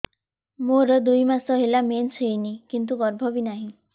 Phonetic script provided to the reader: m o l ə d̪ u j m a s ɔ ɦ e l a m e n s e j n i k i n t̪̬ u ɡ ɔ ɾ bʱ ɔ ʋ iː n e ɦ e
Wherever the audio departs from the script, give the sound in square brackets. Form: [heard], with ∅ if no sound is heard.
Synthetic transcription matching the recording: m o [ɾ] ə d̪ u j m a s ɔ ɦ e l a m e n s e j n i k i n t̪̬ u ɡ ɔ ɾ bʱ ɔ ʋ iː n [a] ɦ [i]